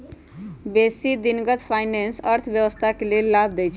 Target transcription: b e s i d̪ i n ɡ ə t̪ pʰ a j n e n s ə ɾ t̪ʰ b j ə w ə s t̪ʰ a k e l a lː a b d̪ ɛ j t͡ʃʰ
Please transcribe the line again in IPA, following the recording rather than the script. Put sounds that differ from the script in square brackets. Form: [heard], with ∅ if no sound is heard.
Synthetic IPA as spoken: b e s i d̪ i n ɡ ə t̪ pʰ a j n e n s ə ɾ t̪ʰ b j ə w ə s t̪ʰ a k e l [e] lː a b d̪ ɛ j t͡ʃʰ